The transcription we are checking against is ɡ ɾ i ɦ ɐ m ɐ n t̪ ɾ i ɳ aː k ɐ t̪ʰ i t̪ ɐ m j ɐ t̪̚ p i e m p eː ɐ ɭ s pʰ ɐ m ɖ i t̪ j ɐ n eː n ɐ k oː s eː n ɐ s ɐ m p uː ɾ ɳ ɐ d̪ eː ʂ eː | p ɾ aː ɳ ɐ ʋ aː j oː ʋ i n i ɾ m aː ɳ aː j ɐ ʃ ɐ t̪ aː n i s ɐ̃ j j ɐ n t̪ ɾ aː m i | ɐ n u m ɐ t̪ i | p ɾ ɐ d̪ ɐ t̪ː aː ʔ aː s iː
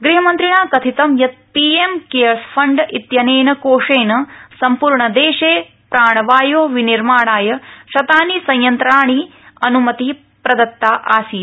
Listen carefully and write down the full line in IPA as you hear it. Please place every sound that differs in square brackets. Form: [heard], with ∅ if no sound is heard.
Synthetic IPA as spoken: ɡ ɾ i ɦ ɐ m ɐ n t̪ ɾ i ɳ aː k ɐ t̪ʰ i t̪ ɐ m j ɐ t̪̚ p i e m [k] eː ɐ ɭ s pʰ ɐ [ɳ] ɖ i t̪ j ɐ n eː n ɐ k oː [ʂ] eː n ɐ s ɐ m p uː ɾ ɳ ɐ d̪ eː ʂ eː | p ɾ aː ɳ ɐ ʋ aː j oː ʋ i n i ɾ m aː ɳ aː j ɐ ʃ ɐ t̪ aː n i s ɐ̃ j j ɐ n t̪ ɾ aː [ɳ] i | ɐ n u m ɐ t̪ i | p ɾ ɐ d̪ ɐ t̪ː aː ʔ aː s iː